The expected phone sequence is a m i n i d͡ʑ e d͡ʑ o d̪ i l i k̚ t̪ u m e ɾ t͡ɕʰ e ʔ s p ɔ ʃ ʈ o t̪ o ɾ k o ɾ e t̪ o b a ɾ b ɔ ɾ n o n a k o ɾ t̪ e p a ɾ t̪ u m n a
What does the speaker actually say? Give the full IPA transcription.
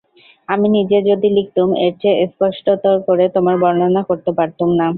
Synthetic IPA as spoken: a m i n i d͡ʑ e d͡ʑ o d̪ i l i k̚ t̪ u m e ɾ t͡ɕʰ e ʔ s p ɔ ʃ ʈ o t̪ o ɾ k o ɾ e t̪ o m a ɾ b ɔ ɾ n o n a k o ɾ t̪ e p a ɾ t̪ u m n a